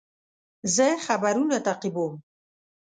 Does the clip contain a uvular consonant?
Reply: yes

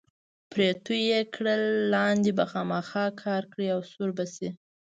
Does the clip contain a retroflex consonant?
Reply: yes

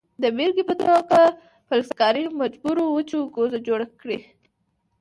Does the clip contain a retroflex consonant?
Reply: yes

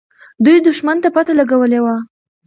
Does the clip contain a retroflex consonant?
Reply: no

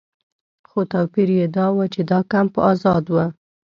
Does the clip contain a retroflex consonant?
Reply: no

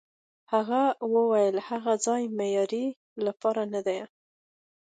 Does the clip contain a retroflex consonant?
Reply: no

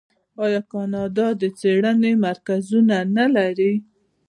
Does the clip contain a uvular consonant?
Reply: no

